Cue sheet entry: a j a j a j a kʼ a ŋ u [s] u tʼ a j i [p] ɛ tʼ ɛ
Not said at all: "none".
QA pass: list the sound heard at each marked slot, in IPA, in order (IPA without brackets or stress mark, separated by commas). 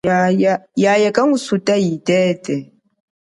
s, t